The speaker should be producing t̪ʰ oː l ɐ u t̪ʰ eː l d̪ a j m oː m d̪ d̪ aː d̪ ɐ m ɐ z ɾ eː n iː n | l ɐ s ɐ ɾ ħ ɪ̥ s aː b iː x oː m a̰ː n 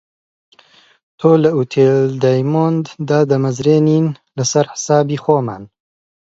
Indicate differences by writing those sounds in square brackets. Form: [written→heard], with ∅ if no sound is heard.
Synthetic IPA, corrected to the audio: t̪ʰ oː l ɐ u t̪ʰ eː l d̪ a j m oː [m→n] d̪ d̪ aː d̪ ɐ m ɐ z ɾ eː n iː n | l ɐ s ɐ ɾ ħ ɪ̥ s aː b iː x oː m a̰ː n